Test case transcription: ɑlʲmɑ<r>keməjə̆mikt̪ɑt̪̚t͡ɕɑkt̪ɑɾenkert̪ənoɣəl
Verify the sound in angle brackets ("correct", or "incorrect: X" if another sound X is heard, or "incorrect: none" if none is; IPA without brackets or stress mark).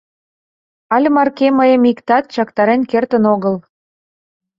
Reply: correct